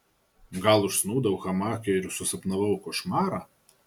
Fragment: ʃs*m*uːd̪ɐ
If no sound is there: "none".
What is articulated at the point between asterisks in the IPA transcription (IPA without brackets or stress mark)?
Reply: n